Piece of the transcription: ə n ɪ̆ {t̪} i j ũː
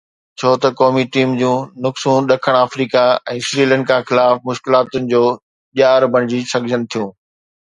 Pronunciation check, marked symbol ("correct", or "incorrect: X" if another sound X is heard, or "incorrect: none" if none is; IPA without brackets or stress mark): incorrect: t̪ʰ